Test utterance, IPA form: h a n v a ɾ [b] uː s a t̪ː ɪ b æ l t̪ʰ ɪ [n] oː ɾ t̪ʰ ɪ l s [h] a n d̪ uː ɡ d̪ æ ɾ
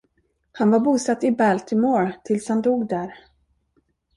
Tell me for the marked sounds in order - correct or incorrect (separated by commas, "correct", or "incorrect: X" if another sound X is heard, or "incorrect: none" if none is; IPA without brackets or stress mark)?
correct, incorrect: m, correct